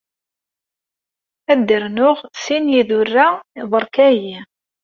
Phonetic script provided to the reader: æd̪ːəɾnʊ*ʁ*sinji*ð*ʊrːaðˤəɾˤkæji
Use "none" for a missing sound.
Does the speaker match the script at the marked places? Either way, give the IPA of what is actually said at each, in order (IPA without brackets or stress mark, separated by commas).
ʁ, ð